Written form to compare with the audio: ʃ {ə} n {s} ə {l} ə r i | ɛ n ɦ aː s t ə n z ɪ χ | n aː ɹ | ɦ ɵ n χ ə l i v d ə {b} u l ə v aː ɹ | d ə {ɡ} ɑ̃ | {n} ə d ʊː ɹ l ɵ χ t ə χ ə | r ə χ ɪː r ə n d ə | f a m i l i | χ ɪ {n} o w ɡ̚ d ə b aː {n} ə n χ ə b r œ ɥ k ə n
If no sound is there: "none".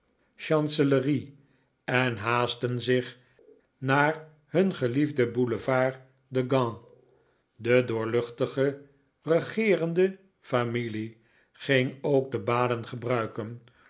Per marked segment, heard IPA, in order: ɑ, s, l, b, ɡ, d, ŋ, d

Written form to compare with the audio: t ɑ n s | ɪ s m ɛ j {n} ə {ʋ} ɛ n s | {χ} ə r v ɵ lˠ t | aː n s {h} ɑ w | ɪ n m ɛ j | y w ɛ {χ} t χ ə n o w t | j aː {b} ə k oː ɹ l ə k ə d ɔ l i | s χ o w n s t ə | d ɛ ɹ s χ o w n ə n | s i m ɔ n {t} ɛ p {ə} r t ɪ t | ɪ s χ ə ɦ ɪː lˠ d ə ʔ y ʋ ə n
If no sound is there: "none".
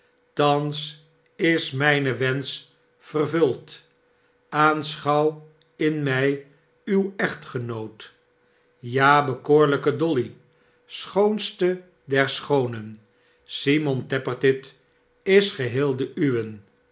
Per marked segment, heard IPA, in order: n, ʋ, f, χ, χ, b, t, ə

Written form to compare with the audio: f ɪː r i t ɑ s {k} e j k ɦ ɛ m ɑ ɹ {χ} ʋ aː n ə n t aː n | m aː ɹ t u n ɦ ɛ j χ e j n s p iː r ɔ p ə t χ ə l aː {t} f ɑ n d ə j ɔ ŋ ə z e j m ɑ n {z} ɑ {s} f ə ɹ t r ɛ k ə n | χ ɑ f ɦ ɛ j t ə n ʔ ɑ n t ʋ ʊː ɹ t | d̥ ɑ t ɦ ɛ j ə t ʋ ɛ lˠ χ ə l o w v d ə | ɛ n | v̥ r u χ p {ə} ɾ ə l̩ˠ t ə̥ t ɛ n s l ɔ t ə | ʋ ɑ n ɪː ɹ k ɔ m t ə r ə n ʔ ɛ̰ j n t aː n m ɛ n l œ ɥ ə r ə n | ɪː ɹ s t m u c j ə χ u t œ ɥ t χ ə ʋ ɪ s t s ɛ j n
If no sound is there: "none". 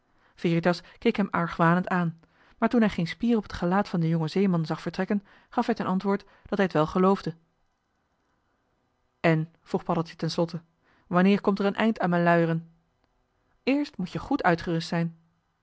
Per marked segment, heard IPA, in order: k, χ, t, z, χ, ɑ

